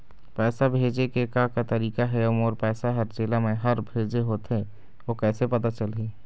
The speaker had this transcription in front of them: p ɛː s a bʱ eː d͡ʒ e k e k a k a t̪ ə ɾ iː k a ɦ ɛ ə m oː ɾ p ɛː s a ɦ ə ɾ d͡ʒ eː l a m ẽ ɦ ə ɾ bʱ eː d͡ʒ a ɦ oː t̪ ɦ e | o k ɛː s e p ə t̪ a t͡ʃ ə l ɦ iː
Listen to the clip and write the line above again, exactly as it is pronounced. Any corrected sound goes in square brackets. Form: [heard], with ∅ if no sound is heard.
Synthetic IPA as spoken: p ɛː s a bʱ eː d͡ʒ e k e k a k a t̪ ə ɾ iː k a ɦ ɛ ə m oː ɾ p ɛː s a ɦ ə ɾ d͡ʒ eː l a m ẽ ɦ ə ɾ bʱ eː d͡ʒ [e] ɦ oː t̪ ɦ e | o k ɛː s e p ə t̪ a t͡ʃ ə l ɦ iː